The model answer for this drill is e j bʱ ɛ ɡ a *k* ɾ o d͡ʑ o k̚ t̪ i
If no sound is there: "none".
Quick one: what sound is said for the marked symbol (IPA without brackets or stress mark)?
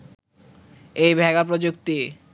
p